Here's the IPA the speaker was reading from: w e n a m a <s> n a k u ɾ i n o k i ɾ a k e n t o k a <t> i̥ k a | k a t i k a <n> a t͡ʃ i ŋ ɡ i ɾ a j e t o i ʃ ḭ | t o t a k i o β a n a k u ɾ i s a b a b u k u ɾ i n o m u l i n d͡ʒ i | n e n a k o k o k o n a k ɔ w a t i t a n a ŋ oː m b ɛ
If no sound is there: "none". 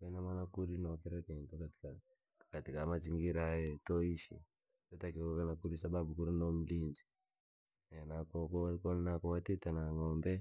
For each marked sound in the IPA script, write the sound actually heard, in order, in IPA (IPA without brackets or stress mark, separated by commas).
none, t, m